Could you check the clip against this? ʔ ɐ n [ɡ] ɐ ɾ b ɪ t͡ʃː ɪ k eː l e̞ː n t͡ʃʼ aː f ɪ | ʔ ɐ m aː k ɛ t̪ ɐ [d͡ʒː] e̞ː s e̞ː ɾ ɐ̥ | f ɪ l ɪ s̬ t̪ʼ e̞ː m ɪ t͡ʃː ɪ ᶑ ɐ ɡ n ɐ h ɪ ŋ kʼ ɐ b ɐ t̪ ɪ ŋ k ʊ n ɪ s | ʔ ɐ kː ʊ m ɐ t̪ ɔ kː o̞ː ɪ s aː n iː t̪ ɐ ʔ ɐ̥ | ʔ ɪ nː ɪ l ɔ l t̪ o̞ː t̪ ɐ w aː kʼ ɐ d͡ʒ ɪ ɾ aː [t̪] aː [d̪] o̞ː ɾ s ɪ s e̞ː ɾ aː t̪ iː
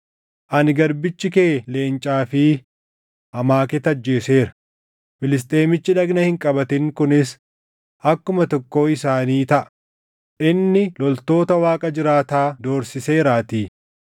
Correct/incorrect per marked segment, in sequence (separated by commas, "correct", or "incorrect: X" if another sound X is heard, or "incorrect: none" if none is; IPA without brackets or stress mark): correct, correct, correct, correct